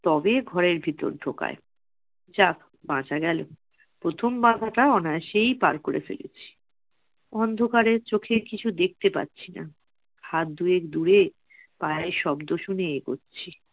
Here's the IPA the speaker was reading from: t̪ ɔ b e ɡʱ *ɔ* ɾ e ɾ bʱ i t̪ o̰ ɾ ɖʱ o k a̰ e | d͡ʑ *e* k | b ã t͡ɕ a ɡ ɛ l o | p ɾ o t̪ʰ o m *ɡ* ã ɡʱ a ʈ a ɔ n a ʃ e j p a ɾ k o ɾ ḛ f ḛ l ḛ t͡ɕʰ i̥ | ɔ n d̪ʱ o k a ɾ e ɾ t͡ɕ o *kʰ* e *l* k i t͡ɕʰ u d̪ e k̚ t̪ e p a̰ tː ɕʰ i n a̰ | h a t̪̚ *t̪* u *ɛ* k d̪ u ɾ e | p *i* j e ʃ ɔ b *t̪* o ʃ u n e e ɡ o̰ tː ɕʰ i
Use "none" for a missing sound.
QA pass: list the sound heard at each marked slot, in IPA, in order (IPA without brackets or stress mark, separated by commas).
ɔ, a, b, kʰ, ɾ, d̪, e, a, d̪